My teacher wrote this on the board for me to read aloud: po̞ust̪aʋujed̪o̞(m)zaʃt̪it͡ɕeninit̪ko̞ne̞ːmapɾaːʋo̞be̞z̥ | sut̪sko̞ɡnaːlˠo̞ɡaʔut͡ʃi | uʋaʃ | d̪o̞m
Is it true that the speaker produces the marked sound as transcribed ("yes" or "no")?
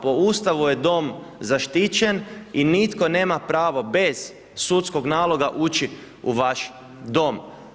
yes